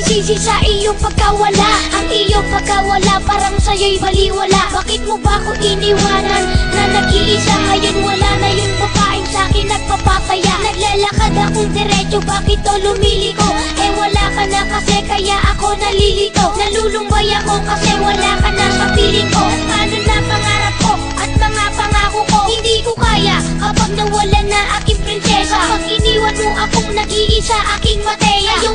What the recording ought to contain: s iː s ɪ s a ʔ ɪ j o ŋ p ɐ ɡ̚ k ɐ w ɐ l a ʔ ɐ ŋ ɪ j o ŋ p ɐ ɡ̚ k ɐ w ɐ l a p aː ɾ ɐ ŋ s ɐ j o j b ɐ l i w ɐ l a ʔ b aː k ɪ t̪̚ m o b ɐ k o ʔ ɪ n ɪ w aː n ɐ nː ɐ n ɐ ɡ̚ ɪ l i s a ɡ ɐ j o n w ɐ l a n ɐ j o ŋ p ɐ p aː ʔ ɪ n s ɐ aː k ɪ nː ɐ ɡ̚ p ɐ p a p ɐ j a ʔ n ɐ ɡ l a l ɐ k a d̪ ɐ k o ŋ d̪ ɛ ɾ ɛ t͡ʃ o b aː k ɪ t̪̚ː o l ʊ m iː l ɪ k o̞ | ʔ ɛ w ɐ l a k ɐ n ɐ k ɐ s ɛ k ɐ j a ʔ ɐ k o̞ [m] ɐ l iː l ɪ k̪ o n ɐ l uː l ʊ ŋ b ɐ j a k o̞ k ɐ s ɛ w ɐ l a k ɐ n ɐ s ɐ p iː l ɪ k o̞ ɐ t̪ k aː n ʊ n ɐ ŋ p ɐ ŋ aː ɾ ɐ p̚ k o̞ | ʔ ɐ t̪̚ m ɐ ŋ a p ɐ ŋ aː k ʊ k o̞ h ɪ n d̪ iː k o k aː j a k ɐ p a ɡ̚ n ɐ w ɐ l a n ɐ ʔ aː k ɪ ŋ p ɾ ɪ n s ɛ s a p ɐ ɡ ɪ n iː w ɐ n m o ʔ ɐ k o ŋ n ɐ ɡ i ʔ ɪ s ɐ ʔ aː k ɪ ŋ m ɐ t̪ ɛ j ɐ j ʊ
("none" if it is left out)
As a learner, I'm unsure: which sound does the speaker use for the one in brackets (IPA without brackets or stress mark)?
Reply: n